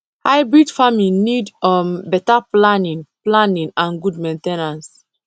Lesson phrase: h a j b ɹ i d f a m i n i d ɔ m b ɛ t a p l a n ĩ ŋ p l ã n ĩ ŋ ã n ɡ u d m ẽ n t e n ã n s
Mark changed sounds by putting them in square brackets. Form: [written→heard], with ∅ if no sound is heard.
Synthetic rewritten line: h a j b ɹ i d f a m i n i d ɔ m b ɛ t a p l a n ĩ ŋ p l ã n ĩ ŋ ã n ɡ u d m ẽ n t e n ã n s